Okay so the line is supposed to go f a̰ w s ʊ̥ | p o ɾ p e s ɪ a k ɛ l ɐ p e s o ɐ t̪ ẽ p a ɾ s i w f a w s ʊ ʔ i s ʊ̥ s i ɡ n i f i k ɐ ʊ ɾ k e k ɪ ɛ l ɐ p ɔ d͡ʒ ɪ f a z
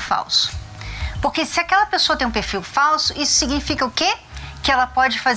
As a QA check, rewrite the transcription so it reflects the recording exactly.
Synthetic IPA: f a̰ w s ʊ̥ | p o ɾ k e s ɪ a k ɛ l ɐ p e s o ɐ t̪ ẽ p e ɾ f i w f a w s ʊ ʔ i s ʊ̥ s i ɡ n i f i k ɐ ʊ k e k ɪ ɛ l ɐ p ɔ d͡ʒ ɪ f a z